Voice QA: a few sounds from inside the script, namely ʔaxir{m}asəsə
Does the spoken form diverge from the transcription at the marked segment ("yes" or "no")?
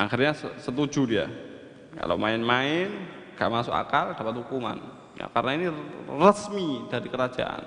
yes